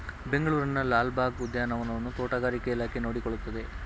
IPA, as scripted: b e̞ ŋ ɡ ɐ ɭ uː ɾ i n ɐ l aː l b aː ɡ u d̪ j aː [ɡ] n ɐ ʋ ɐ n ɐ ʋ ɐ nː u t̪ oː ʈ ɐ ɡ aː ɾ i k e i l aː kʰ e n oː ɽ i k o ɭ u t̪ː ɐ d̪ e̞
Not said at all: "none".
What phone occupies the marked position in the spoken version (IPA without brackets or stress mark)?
none